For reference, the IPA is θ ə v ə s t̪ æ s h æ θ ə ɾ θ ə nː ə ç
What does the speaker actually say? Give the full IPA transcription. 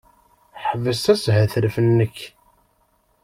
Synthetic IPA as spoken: ħ ə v ə s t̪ æ s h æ θ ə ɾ f ə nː ə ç